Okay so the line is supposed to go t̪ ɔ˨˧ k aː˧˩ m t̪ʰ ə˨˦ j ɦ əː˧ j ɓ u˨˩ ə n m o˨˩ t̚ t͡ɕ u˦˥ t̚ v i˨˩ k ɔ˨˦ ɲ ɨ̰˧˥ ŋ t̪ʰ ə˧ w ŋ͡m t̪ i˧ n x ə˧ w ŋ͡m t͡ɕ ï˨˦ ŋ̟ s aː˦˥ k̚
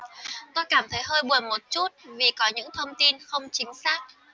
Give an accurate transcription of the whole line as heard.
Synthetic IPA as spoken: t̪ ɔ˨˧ k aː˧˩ m t̪ʰ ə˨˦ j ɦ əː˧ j ɓ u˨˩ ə n m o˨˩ t̚ t͡ɕ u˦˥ t̚ v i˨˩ k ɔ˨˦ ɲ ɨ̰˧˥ ŋ t̪ʰ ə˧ w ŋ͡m t̪ i˧ n x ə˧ w ŋ͡m t͡ɕ ï˨˦ ŋ̟ s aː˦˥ k̚